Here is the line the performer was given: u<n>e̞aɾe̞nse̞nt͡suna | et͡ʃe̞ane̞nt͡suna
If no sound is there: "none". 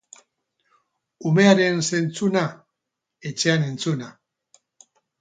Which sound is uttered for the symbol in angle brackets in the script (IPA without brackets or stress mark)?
m